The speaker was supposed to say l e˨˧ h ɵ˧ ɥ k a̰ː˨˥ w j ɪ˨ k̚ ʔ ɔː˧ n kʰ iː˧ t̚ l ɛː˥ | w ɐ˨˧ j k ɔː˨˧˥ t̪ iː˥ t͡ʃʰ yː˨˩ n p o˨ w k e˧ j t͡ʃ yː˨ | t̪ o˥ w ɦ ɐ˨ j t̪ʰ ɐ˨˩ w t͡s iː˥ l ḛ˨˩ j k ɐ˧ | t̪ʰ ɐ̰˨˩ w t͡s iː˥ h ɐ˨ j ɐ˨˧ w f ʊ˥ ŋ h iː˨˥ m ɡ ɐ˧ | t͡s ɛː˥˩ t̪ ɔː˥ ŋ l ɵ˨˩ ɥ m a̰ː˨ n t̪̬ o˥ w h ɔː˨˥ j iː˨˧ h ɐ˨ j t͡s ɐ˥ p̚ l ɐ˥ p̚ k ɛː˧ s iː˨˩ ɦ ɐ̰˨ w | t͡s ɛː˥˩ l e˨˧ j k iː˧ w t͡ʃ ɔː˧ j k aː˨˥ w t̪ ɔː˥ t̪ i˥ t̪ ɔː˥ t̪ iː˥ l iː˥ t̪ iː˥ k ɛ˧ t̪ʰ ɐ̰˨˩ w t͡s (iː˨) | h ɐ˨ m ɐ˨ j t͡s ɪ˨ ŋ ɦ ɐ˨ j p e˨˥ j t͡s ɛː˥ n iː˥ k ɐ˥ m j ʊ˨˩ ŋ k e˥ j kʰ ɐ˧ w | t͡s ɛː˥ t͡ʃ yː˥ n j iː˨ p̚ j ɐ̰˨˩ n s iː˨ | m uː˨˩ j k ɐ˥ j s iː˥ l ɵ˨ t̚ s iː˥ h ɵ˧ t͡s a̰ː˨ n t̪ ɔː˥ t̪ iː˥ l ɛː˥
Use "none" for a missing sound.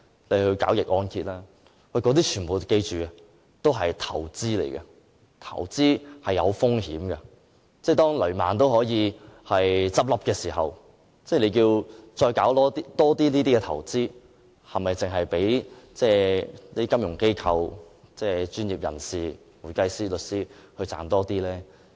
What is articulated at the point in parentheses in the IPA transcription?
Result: iː˥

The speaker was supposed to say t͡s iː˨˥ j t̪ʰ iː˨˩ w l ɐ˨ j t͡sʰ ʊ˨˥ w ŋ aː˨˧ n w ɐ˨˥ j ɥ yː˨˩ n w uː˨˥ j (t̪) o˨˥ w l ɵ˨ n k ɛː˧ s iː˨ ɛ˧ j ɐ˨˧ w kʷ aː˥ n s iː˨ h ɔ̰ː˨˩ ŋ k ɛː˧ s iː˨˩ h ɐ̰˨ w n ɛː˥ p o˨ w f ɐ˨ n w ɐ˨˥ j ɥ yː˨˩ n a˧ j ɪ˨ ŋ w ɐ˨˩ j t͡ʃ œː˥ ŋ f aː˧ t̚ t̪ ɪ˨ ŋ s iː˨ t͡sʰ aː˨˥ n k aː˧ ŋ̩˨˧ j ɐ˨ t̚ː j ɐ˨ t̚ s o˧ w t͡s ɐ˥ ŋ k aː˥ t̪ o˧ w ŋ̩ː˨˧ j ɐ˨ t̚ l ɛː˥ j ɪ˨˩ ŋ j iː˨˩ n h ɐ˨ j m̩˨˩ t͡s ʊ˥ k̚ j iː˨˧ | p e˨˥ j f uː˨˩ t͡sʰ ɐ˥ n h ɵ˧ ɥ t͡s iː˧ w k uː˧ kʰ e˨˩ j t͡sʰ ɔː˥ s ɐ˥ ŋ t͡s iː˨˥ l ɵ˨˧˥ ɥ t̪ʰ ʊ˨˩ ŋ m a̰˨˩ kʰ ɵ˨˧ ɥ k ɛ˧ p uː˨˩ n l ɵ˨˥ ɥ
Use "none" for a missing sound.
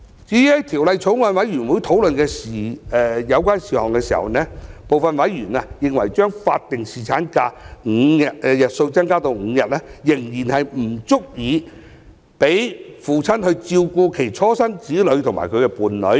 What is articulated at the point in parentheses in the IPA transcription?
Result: t̪ʰ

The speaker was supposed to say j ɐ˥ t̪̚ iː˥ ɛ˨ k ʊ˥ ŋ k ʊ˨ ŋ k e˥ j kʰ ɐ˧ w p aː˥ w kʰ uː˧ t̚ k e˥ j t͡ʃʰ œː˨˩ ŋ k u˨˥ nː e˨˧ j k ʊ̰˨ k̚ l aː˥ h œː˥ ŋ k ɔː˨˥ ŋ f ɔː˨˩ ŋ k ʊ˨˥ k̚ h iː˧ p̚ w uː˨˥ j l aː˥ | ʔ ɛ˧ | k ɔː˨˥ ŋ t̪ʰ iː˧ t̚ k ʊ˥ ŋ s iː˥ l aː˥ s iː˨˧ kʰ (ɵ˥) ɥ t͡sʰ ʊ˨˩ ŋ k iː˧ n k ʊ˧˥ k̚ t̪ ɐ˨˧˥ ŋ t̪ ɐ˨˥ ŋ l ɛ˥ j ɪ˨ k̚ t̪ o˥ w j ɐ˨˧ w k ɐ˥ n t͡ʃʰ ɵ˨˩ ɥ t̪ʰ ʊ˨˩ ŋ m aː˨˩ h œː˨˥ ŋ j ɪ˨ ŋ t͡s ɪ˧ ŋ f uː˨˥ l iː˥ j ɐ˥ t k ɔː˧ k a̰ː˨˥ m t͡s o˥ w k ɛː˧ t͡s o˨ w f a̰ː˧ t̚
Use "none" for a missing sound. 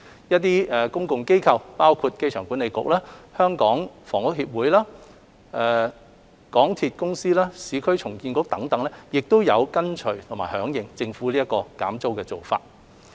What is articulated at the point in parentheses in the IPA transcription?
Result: ɵ˥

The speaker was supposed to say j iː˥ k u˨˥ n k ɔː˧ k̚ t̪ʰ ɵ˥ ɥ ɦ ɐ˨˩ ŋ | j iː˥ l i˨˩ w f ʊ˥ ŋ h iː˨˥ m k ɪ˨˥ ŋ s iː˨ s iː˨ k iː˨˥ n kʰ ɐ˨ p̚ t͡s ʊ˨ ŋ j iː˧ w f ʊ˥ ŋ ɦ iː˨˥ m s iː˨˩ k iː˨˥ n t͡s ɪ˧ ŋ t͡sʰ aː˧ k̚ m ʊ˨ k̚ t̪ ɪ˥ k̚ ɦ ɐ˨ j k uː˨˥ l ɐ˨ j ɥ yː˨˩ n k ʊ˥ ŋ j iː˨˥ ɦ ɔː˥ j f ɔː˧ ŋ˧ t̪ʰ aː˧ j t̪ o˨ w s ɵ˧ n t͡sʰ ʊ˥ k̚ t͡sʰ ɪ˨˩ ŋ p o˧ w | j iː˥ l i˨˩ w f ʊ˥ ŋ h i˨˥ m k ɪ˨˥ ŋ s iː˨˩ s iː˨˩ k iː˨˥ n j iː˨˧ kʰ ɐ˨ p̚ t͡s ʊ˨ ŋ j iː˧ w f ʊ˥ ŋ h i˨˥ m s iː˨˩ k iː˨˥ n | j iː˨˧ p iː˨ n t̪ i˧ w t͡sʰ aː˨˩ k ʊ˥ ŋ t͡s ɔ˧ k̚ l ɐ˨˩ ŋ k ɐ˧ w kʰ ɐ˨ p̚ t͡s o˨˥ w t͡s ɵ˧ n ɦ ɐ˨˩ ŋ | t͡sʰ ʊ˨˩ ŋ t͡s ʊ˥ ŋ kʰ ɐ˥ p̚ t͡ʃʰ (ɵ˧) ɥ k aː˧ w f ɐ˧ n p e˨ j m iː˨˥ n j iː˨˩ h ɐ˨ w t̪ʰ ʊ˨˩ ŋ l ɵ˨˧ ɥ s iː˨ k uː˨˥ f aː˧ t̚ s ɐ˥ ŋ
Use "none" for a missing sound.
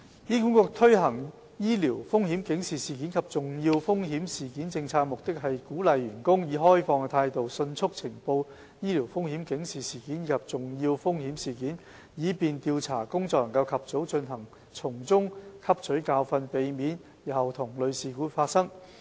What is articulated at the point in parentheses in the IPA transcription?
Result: ɵ˨˥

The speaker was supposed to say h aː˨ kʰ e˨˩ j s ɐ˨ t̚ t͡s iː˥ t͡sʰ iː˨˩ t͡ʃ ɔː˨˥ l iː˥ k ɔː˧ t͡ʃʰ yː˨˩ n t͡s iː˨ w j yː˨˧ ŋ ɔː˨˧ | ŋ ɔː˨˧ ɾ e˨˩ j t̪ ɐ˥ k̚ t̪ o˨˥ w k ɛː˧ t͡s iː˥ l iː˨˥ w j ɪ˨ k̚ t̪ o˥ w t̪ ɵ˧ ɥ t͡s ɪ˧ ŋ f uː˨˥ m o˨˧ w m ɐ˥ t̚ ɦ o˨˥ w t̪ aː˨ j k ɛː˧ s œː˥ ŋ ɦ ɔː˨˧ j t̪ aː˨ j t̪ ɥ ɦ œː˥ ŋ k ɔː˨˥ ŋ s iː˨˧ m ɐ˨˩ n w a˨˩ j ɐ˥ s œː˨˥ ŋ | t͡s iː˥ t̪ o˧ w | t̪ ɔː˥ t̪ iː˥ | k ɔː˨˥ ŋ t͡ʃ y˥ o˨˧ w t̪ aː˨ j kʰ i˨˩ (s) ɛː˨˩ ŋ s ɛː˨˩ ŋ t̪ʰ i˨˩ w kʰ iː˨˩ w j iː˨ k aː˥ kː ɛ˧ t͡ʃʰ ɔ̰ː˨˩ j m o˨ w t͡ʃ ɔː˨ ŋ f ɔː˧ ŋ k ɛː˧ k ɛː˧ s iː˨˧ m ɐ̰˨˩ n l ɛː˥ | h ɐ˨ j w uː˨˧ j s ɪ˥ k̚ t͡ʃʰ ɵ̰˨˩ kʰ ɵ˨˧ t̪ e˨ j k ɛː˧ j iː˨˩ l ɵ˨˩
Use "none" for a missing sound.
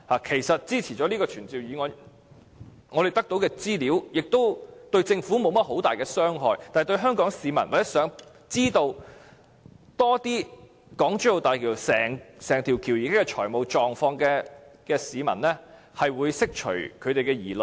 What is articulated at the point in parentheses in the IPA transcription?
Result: s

